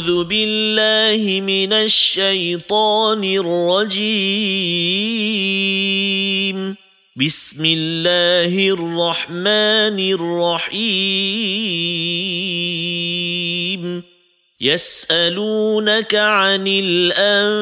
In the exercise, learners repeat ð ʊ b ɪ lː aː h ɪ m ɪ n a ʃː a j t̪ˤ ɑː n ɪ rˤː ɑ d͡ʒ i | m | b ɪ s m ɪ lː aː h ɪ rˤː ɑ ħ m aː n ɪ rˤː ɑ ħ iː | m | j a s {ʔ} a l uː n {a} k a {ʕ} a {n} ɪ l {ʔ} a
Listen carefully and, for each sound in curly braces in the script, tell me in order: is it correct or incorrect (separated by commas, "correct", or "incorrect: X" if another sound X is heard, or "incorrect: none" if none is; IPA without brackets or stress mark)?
correct, correct, correct, correct, correct